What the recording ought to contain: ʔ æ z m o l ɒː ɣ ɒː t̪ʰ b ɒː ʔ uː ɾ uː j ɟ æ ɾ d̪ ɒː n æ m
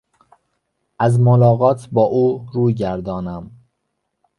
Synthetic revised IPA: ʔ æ z m o l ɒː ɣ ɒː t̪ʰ b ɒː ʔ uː ɾ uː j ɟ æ ɾ d̪ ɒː n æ m